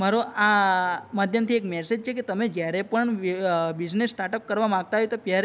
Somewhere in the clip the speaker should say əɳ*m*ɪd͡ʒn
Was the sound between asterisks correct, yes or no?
no